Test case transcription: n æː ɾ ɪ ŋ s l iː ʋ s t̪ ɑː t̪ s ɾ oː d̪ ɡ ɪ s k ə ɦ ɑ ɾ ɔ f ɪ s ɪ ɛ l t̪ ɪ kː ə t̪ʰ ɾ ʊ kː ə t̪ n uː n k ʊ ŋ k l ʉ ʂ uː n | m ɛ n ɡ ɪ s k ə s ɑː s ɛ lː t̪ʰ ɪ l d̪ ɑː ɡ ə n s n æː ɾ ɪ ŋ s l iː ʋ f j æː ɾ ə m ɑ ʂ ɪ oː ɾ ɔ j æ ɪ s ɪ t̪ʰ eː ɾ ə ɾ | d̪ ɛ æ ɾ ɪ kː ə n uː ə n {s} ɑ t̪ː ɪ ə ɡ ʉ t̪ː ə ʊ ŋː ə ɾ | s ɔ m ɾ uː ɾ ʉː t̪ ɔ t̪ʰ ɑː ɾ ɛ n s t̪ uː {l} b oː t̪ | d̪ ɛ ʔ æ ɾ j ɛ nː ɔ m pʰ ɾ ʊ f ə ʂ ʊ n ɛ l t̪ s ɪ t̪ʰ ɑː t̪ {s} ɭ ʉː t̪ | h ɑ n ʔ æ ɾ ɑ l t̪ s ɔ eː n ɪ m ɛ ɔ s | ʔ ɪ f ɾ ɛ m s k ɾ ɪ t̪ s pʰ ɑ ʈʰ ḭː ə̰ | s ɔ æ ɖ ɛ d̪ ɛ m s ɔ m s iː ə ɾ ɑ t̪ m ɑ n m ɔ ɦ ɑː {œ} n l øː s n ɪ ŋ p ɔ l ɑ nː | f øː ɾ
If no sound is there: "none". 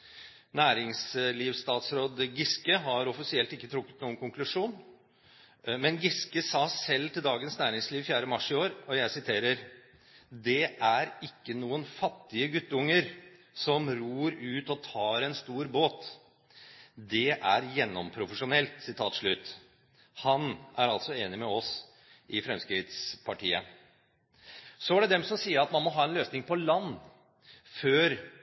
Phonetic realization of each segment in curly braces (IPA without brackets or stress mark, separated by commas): f, ɾ, ʂ, ɛ